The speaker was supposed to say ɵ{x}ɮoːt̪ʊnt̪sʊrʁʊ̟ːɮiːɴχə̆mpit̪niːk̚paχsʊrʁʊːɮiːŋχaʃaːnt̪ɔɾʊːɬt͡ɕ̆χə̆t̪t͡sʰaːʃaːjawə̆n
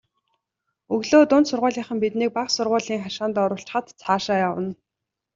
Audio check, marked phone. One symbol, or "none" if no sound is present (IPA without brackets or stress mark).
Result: ɣ